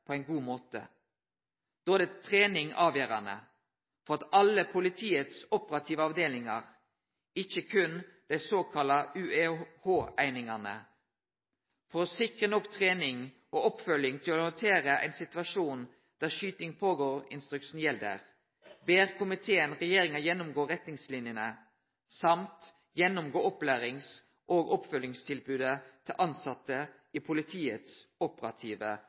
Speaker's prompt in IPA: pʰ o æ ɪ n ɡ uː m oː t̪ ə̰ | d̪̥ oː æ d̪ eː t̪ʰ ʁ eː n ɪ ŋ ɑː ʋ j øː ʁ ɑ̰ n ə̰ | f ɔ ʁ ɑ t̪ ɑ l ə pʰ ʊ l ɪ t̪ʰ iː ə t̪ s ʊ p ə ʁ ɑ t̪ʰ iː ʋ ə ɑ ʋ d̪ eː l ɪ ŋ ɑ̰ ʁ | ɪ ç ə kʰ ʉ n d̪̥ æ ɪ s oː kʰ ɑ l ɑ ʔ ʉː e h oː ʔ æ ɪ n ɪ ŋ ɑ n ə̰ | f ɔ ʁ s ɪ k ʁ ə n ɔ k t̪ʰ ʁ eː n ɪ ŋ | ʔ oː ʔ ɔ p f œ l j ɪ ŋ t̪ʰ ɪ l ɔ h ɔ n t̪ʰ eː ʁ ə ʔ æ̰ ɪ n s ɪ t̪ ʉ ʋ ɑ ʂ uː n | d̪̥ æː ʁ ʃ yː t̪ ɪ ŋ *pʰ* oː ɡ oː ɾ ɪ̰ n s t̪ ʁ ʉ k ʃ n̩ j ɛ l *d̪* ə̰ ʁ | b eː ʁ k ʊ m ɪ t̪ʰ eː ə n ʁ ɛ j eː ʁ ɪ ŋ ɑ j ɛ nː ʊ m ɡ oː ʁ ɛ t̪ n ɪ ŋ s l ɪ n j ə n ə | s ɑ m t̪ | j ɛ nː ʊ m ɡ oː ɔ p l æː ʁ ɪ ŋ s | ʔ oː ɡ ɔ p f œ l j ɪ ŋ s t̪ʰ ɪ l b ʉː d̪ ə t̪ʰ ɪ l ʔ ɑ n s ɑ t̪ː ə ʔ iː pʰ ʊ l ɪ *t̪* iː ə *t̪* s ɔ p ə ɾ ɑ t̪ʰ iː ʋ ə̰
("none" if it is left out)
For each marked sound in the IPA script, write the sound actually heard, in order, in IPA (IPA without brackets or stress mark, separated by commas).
pʰ, d̪, t̪ʰ, t̪